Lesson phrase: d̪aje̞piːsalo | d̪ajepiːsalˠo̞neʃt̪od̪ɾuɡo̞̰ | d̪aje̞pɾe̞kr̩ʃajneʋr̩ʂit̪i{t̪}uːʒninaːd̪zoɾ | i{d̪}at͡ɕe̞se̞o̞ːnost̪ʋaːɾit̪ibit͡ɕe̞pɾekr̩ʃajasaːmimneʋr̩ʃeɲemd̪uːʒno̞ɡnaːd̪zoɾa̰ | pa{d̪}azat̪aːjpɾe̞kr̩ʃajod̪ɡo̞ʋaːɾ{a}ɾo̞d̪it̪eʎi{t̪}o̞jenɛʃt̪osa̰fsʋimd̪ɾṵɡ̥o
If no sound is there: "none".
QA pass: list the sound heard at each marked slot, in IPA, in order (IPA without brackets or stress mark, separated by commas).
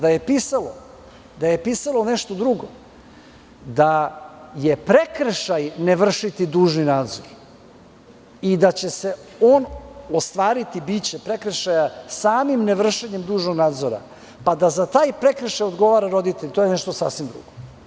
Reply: d̪, d̪, d̪, a, t̪